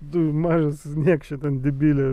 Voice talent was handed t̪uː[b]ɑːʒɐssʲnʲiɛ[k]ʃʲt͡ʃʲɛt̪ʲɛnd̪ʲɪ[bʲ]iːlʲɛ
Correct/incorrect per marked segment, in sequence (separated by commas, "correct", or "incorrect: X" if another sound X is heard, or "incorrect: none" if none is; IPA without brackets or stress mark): incorrect: m, correct, correct